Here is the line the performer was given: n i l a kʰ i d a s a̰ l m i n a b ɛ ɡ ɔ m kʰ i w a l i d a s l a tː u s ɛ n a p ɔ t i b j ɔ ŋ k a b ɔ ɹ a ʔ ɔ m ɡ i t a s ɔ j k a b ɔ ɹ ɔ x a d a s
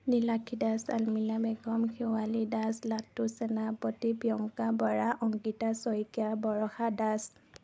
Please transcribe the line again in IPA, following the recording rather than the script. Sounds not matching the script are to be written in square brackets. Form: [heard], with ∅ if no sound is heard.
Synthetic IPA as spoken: n i l a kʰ i d a s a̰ l m i n a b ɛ ɡ ɔ m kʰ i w a l i d a s l a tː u s ɛ n a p ɔ t i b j ɔ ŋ k a b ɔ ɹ a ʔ ɔ [ŋ] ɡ i t a s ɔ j k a b ɔ ɹ ɔ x a d a s